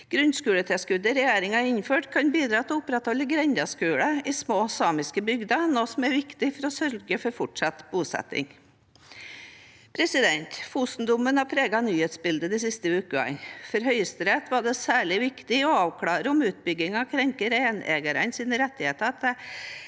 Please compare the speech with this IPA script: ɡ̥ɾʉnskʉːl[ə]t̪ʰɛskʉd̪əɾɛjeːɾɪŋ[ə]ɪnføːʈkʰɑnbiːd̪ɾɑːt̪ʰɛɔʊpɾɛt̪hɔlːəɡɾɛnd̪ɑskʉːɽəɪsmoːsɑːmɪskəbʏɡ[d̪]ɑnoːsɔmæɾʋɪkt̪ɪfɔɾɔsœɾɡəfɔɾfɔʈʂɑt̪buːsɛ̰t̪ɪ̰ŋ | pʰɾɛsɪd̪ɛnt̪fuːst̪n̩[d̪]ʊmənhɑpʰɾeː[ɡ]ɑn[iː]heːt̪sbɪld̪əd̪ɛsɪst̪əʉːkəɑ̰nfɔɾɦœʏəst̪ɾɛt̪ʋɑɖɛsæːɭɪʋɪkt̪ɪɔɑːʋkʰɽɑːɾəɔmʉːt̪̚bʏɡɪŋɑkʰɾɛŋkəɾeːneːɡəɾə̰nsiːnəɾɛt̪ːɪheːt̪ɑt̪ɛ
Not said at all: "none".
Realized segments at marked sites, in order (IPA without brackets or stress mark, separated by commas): ə, ɑ, d̪, d̪, ɡ, yː